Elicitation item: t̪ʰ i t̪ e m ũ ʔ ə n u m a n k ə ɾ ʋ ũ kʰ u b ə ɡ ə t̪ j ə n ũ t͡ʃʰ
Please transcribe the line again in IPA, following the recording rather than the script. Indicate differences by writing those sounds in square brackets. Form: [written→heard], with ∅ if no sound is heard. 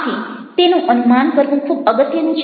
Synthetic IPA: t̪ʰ i t̪ e [m→n] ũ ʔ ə n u m a n k ə ɾ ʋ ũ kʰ u b ə ɡ ə t̪ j ə n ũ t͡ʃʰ